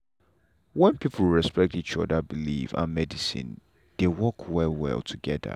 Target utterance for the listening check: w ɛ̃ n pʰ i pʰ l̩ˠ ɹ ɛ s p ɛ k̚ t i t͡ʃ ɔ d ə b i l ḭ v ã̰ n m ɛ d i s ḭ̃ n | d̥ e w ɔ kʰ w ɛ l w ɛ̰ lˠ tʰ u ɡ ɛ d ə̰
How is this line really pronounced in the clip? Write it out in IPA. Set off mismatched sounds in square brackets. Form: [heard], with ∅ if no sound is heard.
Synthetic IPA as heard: w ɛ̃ n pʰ i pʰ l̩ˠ ɹ ɛ s p ɛ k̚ t i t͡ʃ ɔ d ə b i l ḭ v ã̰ n m ɛ d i s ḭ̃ n | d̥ e w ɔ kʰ w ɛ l w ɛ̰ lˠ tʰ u ɡ ɛ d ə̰